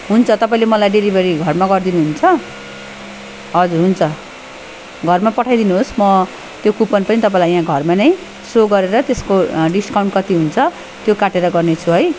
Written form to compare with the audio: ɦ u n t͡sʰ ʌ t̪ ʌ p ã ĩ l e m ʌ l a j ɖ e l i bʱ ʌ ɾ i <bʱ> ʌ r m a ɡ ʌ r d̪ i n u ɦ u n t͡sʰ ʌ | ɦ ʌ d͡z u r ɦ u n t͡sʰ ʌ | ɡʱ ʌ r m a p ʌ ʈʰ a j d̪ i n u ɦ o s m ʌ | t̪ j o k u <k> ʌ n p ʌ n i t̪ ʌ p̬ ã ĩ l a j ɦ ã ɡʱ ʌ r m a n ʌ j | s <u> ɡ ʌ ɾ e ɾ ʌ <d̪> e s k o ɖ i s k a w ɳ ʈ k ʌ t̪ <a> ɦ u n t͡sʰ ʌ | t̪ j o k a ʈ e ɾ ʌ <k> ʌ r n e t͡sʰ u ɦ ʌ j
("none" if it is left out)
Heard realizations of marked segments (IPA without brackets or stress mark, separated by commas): ɡʱ, p, o, t̪, i, ɡ